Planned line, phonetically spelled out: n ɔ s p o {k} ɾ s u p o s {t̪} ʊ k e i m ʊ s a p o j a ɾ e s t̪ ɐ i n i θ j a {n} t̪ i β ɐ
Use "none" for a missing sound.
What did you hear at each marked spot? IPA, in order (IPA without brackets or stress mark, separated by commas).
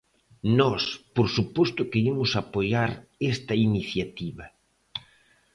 none, t̪, none